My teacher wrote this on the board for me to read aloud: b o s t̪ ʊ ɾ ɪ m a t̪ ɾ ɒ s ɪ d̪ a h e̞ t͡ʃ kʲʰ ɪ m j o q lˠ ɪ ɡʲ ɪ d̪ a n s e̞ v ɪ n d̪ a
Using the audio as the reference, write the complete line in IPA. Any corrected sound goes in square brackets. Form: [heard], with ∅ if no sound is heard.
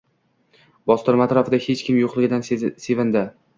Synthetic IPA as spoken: b [ɒ] s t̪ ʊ ɾ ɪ m a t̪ ɾ ɒ [f] ɪ d̪ a h e̞ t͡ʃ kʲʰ ɪ m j o q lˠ ɪ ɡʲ ɪ d̪ a n s e̞ v ɪ n d̪ a